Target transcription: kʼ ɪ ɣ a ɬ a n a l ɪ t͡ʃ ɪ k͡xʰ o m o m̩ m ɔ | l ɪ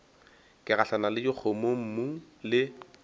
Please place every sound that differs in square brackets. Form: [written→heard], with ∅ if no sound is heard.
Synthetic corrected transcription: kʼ ɪ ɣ a ɬ a n a l ɪ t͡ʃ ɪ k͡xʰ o m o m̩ m [ɔ→u] | l ɪ

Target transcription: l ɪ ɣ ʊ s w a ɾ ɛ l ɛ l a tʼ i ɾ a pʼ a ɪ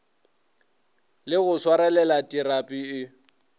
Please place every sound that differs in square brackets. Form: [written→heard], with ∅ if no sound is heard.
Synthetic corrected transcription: l ɪ ɣ ʊ s w a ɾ ɛ l ɛ l a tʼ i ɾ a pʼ [a→i] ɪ

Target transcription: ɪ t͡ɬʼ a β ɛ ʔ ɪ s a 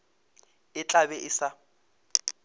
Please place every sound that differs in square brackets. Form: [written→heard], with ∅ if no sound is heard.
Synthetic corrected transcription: ɪ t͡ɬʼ a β ɛ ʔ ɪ s a

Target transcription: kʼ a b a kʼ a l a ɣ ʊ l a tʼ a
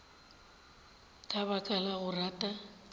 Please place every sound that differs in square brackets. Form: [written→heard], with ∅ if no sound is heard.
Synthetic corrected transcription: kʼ a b a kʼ a l a ɣ ʊ [l→r] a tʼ a

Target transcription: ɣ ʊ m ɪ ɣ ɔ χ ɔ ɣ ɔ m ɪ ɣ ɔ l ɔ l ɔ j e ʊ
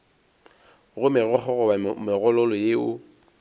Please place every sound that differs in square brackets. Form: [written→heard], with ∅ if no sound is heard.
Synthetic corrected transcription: ɣ ʊ m ɪ ɣ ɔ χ ɔ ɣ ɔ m ɪ ɣ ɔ l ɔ l ɔ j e ʊ

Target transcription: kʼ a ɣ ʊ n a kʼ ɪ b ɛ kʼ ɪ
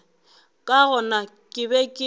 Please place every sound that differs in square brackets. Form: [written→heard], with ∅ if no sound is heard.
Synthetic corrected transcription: kʼ a ɣ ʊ n a kʼ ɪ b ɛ kʼ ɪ

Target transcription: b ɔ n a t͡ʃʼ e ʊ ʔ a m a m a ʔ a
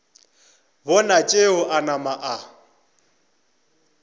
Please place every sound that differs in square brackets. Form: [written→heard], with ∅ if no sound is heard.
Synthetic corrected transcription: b ɔ n a t͡ʃʼ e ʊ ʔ a [m→n] a m a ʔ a

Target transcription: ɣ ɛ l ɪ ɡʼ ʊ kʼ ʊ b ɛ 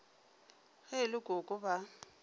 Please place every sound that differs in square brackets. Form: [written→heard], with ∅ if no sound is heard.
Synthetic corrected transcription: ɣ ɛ l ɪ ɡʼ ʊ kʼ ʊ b [ɛ→a]

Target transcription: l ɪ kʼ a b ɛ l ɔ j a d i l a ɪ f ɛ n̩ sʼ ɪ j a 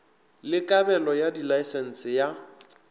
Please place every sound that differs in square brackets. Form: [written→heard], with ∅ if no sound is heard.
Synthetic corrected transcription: l ɪ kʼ a b ɛ l ɔ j a d i l a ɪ [f→s] ɛ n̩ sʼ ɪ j a

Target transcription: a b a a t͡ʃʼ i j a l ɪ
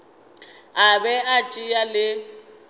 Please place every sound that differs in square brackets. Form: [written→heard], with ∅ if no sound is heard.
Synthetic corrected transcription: a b [a→ɛ] a t͡ʃʼ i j a l ɪ

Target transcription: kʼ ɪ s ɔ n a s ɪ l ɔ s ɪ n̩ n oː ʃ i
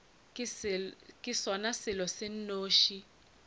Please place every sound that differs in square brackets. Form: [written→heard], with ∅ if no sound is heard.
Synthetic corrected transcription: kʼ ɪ s ɔ n a s ɪ l ɔ s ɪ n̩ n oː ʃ i

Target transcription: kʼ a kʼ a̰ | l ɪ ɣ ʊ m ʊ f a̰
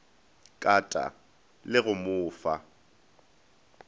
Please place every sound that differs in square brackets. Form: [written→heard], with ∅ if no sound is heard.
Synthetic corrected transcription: kʼ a [kʼ→tʼ] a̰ | l ɪ ɣ ʊ m [ʊ→ʊː] f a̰

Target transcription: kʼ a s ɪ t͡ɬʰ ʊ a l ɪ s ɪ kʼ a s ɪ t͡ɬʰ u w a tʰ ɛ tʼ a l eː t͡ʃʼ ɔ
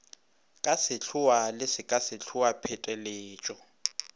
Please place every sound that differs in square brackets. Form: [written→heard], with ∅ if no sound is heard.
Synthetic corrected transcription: kʼ a s ɪ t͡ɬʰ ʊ a l ɪ s ɪ kʼ a s ɪ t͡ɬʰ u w a [tʰ→pʰ] ɛ tʼ [a→ɛ] l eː t͡ʃʼ ɔ

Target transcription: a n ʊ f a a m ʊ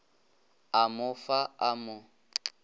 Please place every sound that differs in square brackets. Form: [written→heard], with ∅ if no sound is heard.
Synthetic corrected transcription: a [n→m] ʊ f a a m ʊ

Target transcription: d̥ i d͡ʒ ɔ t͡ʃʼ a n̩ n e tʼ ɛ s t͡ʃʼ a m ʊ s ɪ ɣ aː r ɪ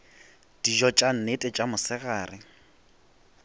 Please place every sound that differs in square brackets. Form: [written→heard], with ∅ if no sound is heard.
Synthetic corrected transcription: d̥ i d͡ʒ ɔ t͡ʃʼ a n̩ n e tʼ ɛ [s→∅] t͡ʃʼ a m ʊ s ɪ ɣ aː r ɪ

